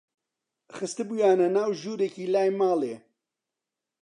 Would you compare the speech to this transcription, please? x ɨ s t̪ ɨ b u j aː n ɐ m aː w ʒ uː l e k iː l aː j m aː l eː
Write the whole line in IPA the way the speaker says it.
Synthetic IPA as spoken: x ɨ s t̪ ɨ b u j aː n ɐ n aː w ʒ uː ɾ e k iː l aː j m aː l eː